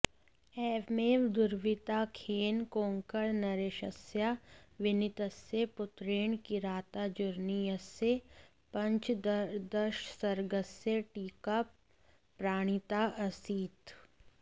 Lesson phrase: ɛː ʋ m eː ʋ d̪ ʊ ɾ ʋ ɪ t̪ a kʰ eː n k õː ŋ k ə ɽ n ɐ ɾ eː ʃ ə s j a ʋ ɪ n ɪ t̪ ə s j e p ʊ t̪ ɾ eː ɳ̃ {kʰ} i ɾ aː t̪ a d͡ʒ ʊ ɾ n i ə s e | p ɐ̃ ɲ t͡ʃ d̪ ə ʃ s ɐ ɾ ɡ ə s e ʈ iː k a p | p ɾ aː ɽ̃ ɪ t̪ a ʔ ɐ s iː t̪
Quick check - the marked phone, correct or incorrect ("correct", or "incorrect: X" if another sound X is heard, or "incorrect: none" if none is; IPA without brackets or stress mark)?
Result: incorrect: k